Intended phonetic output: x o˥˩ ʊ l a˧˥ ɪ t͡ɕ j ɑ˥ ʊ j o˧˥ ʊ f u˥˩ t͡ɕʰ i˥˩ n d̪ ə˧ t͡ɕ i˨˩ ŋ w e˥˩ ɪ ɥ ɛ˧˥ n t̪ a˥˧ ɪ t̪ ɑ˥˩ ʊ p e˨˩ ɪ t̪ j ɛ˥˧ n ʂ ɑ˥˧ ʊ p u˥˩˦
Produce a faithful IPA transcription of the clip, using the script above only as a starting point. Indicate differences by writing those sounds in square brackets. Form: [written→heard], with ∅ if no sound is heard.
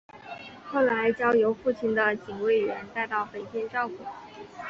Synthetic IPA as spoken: x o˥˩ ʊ l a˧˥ ɪ t͡ɕ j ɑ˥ ʊ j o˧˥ ʊ f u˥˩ t͡ɕʰ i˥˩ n d̪ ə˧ t͡ɕ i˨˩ ŋ w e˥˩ ɪ ɥ ɛ˧˥ n t̪ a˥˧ ɪ t̪ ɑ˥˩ ʊ p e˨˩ ɪ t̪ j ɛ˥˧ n [ʂ→ʈ͡ʂ] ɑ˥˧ ʊ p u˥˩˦